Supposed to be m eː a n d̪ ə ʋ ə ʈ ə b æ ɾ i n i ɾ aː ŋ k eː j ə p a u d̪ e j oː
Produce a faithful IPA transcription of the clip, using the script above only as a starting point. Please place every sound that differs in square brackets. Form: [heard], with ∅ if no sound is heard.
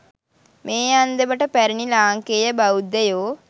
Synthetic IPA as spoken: m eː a n d̪ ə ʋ ə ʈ ə [p] æ ɾ i n i [l] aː ŋ k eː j ə [b] a u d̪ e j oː